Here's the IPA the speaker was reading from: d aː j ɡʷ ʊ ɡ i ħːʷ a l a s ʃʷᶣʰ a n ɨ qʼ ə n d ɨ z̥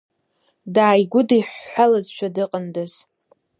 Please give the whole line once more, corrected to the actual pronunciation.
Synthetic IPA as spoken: d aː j ɡʷ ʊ d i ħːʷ a l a z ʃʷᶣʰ a d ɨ qʼ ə n d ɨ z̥